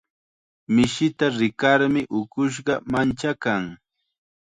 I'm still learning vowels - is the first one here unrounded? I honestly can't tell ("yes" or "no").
yes